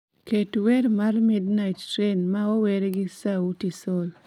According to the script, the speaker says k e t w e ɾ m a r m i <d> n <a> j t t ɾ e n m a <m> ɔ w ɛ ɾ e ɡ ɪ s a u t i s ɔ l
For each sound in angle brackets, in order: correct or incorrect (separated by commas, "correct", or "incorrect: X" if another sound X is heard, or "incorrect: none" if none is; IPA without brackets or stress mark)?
correct, correct, incorrect: none